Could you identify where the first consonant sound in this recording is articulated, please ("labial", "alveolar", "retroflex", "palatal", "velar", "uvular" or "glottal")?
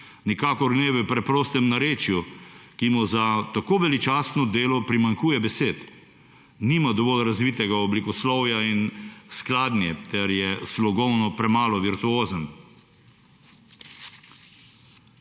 alveolar